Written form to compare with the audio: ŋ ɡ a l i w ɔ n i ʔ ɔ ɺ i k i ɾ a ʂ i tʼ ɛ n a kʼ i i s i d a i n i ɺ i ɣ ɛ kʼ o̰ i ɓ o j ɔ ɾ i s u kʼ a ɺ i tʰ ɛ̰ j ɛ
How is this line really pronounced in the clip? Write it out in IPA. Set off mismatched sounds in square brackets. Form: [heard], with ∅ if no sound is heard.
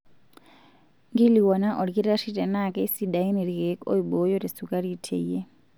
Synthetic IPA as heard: ŋ ɡ [i] l i w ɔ n [a] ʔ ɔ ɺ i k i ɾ a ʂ i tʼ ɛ n a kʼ [ɛ] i s i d a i n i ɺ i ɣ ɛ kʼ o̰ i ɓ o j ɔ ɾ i s u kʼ a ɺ i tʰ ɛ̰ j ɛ

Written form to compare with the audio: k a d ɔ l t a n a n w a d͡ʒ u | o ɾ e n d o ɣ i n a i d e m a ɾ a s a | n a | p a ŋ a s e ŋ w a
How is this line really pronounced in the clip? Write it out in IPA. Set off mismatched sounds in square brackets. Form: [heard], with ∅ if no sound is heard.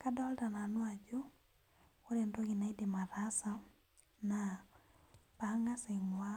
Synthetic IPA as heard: k a d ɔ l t a n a n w a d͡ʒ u | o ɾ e n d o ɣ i n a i d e m a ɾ a s a | n a | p a ŋ a s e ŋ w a

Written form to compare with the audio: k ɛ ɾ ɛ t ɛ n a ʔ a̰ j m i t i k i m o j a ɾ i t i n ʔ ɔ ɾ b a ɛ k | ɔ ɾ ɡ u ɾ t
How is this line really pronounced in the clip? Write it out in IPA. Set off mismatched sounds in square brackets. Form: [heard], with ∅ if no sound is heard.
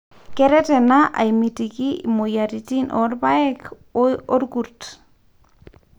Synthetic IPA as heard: k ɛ ɾ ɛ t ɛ n a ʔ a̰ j m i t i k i m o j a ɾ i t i n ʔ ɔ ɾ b a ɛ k | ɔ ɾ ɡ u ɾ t

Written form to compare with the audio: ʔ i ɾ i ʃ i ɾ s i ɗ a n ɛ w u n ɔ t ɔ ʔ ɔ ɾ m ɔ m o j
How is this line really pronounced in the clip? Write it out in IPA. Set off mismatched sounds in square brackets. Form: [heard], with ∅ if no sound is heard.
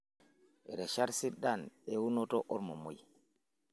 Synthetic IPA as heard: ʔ [ɛ] ɾ [ɛ] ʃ [a] ɾ s i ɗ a n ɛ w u n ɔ t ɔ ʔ ɔ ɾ m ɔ m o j

